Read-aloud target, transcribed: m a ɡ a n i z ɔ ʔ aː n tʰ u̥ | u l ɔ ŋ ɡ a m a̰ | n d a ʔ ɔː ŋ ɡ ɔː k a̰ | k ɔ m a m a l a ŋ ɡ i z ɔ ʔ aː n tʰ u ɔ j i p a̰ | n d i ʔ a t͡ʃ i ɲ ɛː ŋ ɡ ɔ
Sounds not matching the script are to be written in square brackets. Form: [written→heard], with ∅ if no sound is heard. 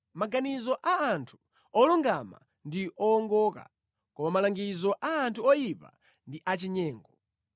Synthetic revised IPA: m a ɡ a n i z ɔ ʔ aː n tʰ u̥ | [u→ɔ] l [ɔ→u] ŋ ɡ a m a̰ | n d [a→i] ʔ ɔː ŋ ɡ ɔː k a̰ | k ɔ m a m a l a ŋ ɡ i z ɔ ʔ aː n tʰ u ɔ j i p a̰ | n d i ʔ a t͡ʃ i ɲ ɛː ŋ ɡ ɔ